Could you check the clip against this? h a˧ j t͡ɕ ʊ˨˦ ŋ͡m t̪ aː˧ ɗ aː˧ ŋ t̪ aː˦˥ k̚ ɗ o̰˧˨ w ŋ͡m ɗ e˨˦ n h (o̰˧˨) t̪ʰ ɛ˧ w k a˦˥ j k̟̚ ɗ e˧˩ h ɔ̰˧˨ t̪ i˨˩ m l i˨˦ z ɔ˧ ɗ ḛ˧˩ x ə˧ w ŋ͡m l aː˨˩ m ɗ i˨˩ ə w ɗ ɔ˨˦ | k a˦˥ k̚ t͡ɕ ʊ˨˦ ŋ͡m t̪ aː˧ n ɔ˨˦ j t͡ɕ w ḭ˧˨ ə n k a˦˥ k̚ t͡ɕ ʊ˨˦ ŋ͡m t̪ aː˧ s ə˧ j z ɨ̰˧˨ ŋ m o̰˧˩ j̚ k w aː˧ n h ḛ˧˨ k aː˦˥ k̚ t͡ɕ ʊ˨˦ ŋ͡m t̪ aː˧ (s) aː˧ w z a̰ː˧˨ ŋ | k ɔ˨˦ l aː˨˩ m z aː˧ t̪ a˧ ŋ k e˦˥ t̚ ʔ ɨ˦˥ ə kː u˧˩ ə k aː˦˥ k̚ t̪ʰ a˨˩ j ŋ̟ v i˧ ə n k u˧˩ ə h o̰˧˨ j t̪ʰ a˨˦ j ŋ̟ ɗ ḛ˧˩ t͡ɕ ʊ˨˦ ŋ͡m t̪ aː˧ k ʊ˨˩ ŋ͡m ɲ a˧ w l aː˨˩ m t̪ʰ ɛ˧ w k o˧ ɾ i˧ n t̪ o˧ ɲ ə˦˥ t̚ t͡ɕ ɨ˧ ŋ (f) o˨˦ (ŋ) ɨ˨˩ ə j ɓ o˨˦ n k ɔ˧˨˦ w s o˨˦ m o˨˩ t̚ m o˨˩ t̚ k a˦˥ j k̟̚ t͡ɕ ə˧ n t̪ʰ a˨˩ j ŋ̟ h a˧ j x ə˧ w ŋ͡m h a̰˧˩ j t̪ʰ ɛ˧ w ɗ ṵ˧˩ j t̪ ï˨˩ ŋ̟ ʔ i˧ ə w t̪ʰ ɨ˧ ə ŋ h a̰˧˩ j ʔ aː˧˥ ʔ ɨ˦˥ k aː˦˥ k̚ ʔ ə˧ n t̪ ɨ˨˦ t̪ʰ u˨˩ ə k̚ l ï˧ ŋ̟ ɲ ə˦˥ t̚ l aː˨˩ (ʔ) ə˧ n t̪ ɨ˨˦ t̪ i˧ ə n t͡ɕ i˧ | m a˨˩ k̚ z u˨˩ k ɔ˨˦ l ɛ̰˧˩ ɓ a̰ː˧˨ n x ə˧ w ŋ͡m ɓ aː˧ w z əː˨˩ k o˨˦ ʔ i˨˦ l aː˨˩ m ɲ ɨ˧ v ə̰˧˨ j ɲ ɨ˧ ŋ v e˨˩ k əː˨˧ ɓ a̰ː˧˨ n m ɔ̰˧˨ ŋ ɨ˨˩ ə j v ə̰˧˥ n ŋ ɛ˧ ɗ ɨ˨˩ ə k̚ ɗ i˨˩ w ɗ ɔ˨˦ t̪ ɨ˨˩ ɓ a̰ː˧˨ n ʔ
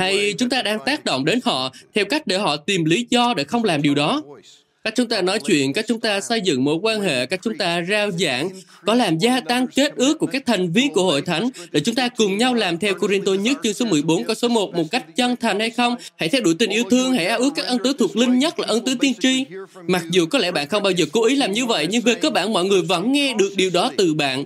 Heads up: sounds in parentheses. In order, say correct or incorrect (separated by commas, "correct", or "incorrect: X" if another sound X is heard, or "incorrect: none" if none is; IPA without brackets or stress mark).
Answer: incorrect: ɔ̰˧˨, incorrect: z, incorrect: s, incorrect: m, correct